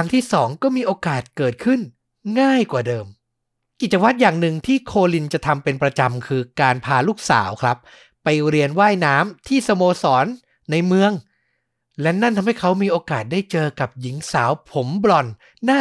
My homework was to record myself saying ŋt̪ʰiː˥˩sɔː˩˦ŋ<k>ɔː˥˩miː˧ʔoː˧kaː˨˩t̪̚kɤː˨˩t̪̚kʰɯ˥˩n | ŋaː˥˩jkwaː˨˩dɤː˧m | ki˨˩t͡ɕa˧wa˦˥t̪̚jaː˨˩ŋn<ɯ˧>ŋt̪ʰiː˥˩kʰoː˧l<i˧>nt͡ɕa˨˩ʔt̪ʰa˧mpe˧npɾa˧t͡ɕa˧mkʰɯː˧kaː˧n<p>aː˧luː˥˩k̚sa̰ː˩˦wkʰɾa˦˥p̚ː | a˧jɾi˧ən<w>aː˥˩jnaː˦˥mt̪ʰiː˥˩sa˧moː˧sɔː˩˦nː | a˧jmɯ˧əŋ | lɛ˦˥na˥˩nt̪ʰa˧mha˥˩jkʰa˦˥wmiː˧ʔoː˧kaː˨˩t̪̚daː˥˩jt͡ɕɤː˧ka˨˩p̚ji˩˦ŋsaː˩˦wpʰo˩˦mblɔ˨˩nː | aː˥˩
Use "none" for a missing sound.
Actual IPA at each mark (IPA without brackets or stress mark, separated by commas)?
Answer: k, ɯ˨˩, i˧, pʰ, w